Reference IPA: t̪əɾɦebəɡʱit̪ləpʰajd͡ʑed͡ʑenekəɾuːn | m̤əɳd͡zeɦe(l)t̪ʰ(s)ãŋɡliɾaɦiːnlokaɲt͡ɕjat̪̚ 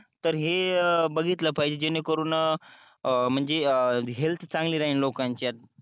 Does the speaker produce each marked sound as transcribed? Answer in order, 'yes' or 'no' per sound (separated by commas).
yes, no